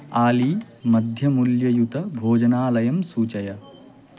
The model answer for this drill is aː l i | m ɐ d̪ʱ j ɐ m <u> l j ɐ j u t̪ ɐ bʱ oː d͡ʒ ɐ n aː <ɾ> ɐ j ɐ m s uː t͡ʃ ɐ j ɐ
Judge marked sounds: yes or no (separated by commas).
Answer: yes, no